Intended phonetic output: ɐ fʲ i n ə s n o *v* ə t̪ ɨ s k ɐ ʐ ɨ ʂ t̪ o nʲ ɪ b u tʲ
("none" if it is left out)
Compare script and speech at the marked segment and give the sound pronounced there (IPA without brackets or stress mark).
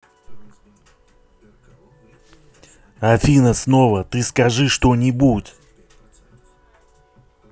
v